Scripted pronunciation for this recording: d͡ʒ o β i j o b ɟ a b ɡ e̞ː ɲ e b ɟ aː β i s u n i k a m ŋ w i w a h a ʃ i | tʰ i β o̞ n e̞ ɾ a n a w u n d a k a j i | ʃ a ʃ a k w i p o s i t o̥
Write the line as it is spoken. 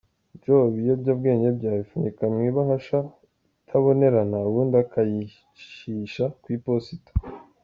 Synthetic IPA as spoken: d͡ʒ o β i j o b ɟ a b ɡ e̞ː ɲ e b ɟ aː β i f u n i k a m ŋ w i β a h a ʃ a | tʰ a β o̞ n e̞ ɾ a n a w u n d a k a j i | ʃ i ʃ a k w i p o s i t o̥